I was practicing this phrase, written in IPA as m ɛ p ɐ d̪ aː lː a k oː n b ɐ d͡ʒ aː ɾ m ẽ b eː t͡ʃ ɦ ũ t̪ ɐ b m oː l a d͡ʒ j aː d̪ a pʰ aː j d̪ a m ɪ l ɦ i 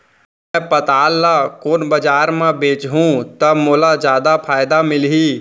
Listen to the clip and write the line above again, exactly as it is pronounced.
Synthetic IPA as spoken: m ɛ p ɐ t̪ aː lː a k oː n b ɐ d͡ʒ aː ɾ m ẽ b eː t͡ʃ ɦ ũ t̪ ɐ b m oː l a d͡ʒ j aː d̪ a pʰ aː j d̪ a m ɪ l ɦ i